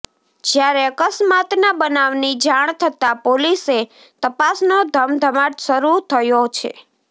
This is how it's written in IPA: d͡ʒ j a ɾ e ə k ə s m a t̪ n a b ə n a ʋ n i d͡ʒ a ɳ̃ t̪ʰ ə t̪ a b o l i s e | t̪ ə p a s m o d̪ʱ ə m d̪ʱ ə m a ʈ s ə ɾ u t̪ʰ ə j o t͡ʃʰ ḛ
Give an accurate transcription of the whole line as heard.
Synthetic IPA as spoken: d͡ʒ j a ɾ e ə k ə s m a t̪ n a b ə n a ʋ n i d͡ʒ a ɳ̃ t̪ʰ ə t̪ a p o l i s e | t̪ ə p a s n o d̪ʱ ə m d̪ʱ ə m a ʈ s ə ɾ u t̪ʰ ə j o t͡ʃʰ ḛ

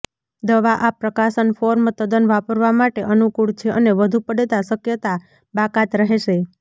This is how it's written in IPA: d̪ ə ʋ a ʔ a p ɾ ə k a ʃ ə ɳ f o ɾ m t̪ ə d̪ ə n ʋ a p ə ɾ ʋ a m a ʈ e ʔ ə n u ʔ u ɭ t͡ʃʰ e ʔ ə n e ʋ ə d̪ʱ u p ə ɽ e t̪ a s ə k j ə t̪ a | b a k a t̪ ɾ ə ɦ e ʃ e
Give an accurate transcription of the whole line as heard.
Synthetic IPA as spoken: d̪ ə ʋ a ʔ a p ɾ ə k a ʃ ə n f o ɾ m t̪ ə d̪ ə n ʋ a p ə ɾ ʋ a m a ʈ e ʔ ə n u k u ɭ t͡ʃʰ e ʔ ə n e ʋ ə d̪ʱ u p ə ɽ e t̪ a s ə k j ə t̪ a | b a k a t̪ ɾ ə ɦ e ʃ e

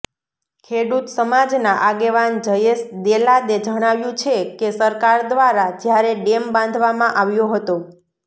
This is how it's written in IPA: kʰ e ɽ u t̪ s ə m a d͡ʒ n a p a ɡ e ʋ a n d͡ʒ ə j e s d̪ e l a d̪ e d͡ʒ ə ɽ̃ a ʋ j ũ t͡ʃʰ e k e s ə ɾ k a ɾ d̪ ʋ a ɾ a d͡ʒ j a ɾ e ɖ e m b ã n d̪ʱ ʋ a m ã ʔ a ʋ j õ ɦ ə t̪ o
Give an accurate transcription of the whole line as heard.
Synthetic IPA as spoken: kʰ e ɽ u t̪ s ə m a d͡ʒ n a ʔ a ɡ e ʋ a n d͡ʒ ə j e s d̪ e l a d̪ e d͡ʒ ə ɽ̃ a ʋ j ũ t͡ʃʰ e k e s ə ɾ k a ɾ d̪ ʋ a ɾ a d͡ʒ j a ɾ e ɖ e m b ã n d̪ʱ ʋ a m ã ʔ a ʋ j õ ɦ ə t̪ o

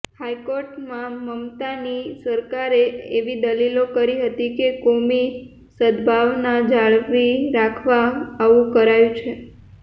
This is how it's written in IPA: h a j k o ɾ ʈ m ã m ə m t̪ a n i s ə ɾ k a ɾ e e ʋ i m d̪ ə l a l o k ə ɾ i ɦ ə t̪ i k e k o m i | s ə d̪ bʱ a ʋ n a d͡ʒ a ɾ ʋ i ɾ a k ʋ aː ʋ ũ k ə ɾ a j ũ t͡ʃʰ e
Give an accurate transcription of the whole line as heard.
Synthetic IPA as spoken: h a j k o ɾ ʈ m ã m ə m t̪ a n i s ə ɾ k a ɾ e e ʋ i d̪ ə l i l o k ə ɾ i ɦ ə t̪ i k e k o m i | s ə d̪ bʱ a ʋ n a d͡ʒ a ɭ ʋ i ɾ a kʰ ʋ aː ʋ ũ k ə ɾ a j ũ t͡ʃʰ e

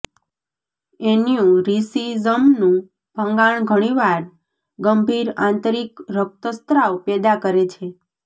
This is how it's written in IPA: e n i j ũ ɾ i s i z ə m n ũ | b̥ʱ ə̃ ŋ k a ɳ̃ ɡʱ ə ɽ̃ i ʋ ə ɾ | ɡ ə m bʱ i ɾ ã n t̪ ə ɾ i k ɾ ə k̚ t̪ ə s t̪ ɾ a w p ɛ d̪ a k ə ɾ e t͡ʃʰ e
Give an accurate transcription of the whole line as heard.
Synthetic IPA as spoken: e n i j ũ ɾ i s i z ə m n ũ | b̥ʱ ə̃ ŋ ɡ a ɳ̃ ɡʱ ə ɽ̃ i ʋ a ɾ | ɡ ə m bʱ i ɾ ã n t̪ ə ɾ i k ɾ ə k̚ t̪ ə s t̪ ɾ a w p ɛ d̪ a k ə ɾ e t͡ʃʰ e

